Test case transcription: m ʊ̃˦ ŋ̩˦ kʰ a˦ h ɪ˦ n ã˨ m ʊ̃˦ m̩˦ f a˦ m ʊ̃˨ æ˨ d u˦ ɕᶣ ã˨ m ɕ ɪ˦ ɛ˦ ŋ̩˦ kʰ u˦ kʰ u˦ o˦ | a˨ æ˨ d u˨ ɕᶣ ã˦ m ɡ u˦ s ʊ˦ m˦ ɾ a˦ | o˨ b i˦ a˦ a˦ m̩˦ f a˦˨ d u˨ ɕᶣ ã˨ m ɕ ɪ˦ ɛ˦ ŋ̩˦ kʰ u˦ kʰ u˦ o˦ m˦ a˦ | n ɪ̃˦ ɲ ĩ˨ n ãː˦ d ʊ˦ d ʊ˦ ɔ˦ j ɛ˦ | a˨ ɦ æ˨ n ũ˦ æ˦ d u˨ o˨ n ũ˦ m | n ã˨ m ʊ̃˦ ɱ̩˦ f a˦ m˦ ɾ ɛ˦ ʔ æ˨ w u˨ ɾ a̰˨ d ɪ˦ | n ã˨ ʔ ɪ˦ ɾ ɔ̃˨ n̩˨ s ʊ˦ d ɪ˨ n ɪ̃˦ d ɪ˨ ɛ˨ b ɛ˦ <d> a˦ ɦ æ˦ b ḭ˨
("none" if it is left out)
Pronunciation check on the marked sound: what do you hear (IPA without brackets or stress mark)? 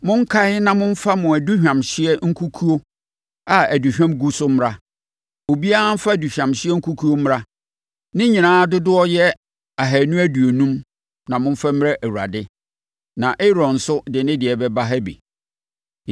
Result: b